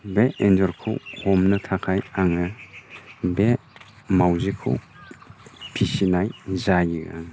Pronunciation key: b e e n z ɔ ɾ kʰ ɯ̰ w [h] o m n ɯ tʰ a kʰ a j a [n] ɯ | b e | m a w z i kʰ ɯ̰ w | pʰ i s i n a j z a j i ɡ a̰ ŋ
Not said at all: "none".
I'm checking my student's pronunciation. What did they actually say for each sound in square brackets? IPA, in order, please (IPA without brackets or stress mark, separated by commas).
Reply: h, ŋ